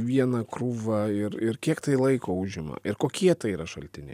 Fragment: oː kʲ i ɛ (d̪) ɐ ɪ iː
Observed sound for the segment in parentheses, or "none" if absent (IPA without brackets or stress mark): t̪